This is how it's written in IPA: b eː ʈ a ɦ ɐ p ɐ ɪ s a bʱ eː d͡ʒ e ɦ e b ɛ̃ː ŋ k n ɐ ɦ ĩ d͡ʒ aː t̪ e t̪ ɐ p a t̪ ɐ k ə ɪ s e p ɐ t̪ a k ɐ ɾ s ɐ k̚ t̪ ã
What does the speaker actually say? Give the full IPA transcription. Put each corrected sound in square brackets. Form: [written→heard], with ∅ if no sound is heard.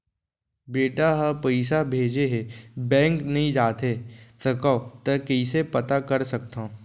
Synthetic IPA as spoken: b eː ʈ a ɦ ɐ p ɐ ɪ s a bʱ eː d͡ʒ e ɦ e b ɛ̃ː ŋ k n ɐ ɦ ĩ d͡ʒ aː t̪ e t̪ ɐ [p→k] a t̪ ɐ k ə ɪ s e p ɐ t̪ a k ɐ ɾ s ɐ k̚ t̪ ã